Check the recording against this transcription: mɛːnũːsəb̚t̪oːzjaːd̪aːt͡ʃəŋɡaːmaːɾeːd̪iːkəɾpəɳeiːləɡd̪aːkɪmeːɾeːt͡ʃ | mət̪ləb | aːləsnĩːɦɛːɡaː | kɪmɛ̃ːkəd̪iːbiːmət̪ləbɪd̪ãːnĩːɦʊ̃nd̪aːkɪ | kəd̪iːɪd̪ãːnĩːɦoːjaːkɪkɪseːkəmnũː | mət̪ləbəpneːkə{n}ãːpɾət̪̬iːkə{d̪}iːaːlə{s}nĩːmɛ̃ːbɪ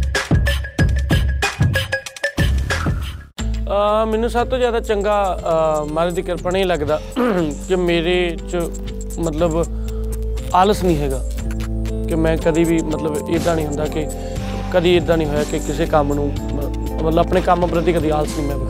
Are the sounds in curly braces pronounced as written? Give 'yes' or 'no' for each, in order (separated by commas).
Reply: no, yes, yes